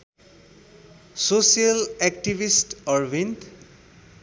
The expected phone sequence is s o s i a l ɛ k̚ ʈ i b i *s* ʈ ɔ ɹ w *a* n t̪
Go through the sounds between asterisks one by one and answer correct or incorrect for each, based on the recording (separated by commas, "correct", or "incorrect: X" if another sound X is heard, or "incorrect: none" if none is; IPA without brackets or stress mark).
correct, incorrect: i